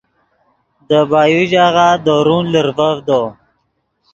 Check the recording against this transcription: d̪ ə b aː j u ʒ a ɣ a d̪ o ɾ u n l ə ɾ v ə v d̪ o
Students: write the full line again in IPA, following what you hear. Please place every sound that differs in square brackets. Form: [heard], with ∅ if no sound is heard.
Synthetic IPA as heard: d̪ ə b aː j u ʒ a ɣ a d̪ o ɾ u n l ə ɾ v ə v d̪ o